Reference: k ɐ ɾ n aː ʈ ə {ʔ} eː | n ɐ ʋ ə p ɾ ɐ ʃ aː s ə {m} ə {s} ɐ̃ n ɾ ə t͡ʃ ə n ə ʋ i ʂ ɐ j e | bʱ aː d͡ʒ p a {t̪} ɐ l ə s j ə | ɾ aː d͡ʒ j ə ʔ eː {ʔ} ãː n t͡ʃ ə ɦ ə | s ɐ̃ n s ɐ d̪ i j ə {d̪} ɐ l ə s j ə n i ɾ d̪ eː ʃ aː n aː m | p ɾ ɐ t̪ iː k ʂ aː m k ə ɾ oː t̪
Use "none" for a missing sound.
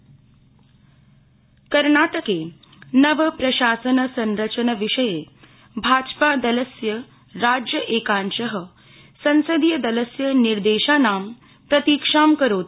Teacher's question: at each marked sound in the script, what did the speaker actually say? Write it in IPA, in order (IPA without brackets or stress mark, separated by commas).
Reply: k, n, s, d̪, k, d̪